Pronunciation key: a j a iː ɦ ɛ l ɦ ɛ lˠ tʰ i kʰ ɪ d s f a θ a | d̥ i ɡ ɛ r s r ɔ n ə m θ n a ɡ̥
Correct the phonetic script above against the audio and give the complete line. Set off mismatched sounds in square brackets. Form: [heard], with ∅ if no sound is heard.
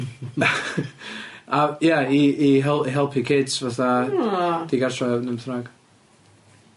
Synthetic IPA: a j a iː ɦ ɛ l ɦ ɛ lˠ [pʰ] i kʰ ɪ d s [v] a θ a | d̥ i ɡ [a] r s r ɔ n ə m θ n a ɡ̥